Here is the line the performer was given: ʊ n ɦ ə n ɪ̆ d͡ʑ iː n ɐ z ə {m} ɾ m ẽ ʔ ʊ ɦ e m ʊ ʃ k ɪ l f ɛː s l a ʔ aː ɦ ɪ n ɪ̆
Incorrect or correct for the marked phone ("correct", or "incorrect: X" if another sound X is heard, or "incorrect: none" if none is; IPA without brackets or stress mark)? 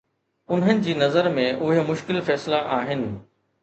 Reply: incorrect: none